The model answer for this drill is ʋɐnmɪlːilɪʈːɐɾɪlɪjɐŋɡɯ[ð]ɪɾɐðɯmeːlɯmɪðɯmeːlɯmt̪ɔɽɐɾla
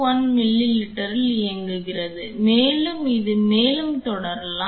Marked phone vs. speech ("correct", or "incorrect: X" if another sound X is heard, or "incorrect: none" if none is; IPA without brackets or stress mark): incorrect: ɣ